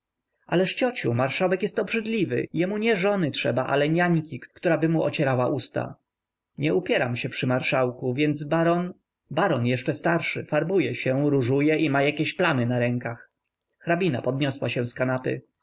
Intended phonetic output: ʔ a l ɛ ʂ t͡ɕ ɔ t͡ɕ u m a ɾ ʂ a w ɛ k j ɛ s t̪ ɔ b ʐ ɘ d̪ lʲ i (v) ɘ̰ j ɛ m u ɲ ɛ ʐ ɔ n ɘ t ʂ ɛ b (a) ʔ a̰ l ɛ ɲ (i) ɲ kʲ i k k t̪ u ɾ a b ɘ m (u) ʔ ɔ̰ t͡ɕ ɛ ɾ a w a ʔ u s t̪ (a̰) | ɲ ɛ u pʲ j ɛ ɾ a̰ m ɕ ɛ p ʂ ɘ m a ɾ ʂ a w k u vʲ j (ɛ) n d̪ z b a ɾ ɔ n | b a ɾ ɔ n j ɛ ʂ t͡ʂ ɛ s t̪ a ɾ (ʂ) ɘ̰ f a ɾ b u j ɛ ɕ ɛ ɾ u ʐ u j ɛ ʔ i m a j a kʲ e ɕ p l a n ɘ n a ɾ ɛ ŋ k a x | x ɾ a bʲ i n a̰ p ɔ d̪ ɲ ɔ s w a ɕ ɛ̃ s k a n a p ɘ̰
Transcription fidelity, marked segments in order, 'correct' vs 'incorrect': correct, correct, incorrect, correct, correct, correct, correct

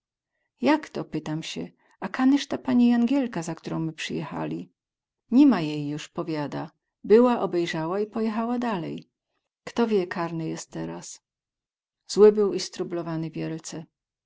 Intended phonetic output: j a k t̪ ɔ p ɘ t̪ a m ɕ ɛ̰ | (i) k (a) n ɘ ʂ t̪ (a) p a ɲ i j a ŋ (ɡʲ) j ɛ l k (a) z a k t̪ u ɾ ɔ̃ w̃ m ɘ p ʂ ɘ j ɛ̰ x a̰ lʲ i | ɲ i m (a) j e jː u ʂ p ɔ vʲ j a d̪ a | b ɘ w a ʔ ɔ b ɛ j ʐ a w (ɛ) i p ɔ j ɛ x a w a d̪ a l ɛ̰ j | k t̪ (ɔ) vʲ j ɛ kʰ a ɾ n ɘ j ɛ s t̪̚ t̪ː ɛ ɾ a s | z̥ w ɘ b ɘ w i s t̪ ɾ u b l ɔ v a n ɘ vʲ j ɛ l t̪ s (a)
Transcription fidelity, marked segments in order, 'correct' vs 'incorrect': incorrect, correct, correct, correct, correct, correct, incorrect, correct, incorrect

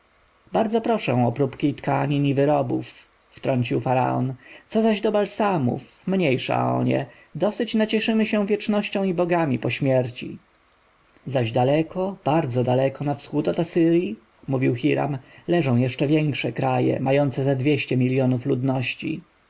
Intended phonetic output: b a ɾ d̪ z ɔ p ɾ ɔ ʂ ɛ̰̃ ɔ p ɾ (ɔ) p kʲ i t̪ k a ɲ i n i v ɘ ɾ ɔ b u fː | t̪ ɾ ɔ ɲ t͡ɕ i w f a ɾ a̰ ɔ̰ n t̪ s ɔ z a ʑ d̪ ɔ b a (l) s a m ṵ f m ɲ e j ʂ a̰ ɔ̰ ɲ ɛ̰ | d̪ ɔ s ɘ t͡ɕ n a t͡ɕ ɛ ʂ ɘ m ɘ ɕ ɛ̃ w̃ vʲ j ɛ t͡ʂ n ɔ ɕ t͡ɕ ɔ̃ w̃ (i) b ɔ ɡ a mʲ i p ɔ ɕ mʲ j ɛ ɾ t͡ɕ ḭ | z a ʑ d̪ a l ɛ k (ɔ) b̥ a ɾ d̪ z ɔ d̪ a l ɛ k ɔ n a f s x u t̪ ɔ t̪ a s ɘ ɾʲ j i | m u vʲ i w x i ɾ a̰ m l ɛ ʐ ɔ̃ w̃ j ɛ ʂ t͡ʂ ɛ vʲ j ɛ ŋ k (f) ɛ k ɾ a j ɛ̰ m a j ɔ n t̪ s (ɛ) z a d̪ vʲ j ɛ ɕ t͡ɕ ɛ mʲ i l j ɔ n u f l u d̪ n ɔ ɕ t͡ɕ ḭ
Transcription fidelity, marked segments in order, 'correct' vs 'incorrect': incorrect, correct, correct, correct, incorrect, correct

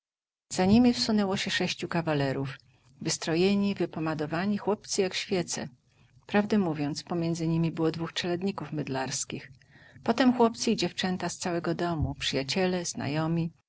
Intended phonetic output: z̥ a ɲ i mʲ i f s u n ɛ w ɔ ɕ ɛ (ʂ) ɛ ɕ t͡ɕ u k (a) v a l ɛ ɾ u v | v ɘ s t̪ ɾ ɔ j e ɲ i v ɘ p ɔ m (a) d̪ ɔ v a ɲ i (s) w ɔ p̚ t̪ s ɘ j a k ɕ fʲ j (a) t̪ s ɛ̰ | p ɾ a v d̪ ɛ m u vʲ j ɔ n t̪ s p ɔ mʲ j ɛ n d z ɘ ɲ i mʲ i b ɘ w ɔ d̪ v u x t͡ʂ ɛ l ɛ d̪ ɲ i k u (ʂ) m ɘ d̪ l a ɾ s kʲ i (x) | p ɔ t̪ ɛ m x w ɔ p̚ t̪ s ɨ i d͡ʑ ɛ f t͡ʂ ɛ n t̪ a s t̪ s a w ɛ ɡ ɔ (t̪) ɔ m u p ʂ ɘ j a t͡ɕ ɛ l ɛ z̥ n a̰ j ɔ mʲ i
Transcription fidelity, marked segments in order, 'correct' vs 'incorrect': correct, correct, correct, incorrect, incorrect, incorrect, correct, incorrect

